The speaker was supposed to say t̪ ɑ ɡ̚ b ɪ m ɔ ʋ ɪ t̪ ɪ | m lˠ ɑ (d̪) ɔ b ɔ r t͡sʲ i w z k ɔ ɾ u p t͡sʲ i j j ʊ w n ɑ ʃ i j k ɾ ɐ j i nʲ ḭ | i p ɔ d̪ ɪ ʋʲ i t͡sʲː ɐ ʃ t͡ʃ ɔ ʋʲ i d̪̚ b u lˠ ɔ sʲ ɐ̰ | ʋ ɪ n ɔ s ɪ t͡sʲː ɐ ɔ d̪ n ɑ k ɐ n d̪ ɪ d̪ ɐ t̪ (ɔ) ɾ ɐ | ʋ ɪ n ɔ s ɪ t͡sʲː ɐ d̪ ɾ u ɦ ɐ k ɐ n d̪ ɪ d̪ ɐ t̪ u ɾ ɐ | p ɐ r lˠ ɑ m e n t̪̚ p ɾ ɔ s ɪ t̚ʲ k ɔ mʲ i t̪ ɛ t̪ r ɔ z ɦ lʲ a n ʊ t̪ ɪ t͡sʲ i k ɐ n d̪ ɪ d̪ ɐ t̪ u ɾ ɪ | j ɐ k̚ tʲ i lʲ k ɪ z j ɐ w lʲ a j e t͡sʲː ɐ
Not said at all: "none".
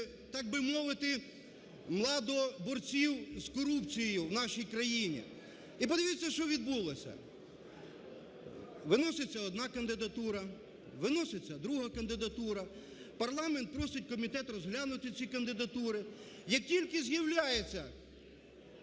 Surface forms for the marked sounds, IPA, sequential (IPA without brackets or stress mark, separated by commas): d̪, u